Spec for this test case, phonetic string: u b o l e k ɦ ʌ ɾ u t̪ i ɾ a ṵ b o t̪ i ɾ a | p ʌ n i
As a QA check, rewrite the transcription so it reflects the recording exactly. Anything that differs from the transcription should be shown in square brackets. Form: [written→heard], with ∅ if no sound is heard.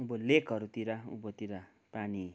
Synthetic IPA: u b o l e k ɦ ʌ ɾ u t̪ i ɾ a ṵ b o t̪ i ɾ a | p [ʌ→a] n i